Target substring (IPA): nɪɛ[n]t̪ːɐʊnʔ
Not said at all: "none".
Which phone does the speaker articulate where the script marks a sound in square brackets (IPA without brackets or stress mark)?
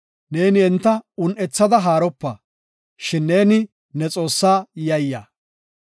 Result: n